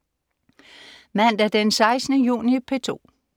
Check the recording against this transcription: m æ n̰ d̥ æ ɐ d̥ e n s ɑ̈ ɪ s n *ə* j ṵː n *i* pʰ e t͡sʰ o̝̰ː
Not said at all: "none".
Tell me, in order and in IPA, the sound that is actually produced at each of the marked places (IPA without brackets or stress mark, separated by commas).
ə, i